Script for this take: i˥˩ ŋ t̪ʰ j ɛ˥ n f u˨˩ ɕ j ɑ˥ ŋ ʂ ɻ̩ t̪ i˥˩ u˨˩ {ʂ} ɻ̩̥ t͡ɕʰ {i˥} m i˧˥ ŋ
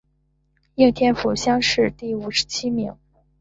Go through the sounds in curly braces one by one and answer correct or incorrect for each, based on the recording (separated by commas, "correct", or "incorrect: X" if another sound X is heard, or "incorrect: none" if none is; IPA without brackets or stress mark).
correct, correct